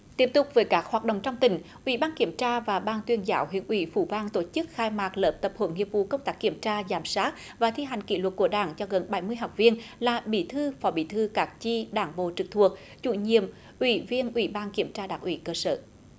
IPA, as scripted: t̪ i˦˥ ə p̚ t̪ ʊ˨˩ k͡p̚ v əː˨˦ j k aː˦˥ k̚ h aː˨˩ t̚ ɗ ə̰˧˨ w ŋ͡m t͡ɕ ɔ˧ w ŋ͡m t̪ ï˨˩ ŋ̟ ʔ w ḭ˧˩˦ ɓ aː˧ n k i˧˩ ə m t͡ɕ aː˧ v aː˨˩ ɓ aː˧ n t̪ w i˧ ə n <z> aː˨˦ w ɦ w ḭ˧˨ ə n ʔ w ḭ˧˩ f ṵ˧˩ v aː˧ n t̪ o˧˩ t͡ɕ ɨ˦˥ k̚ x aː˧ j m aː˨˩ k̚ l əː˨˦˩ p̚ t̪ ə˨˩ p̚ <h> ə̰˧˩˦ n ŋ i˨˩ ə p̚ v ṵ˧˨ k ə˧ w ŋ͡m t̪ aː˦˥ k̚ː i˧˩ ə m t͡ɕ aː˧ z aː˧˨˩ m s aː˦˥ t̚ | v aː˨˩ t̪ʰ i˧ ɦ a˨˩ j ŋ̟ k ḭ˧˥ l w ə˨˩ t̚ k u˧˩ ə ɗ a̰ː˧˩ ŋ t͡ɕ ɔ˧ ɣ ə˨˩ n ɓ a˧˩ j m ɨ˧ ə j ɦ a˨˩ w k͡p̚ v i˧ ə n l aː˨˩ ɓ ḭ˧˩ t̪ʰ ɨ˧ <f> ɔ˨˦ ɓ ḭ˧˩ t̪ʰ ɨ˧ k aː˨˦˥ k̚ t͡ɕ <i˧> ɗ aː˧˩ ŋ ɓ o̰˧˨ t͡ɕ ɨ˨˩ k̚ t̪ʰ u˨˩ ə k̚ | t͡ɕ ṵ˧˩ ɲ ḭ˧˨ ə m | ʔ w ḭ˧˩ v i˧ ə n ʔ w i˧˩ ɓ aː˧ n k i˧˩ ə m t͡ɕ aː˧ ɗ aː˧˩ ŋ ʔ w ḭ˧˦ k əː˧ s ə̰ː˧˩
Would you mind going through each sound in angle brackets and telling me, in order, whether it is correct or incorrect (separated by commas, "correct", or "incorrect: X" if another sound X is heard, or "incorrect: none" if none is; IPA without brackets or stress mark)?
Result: correct, correct, correct, correct